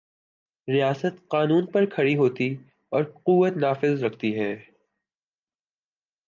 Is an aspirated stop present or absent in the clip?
present